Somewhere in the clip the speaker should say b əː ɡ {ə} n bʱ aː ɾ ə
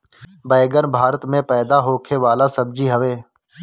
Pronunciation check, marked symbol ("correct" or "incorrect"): correct